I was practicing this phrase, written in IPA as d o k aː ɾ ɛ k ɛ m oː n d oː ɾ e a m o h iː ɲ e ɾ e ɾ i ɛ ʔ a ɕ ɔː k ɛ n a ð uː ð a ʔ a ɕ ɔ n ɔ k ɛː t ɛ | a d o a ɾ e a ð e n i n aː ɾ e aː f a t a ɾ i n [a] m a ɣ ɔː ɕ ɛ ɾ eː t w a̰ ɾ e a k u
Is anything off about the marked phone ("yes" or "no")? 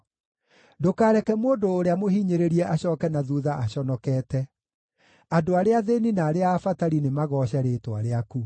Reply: yes